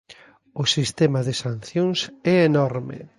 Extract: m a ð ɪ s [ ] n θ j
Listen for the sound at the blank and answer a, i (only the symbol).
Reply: a